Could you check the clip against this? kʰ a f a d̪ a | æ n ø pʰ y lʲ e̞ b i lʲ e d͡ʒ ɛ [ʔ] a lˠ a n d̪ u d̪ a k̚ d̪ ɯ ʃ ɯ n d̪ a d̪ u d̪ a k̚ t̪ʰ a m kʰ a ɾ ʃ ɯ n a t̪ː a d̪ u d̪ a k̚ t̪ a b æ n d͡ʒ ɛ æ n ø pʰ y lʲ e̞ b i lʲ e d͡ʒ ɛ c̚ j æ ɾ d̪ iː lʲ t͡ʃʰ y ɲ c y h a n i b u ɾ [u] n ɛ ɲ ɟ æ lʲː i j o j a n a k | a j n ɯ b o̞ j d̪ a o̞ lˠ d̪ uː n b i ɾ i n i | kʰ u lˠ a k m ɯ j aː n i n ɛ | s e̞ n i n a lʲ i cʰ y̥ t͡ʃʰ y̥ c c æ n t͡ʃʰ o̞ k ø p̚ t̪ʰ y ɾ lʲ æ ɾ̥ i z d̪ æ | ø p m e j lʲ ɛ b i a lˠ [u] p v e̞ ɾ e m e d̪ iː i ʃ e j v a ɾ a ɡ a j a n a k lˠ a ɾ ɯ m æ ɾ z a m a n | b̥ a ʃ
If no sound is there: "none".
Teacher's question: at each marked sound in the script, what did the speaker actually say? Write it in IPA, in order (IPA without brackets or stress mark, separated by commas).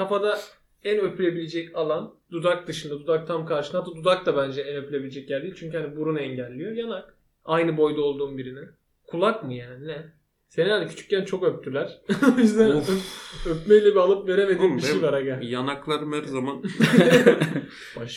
c, u, ɯ